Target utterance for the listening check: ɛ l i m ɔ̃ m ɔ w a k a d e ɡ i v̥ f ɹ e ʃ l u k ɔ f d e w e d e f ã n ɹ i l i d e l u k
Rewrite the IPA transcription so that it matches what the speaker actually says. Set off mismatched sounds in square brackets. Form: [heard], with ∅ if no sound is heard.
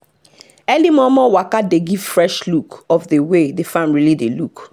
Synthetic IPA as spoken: ɛ l i m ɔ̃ m ɔ w a k a d e ɡ i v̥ f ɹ [ɛ] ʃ l u k ɔ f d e w e d e f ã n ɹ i l i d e l u k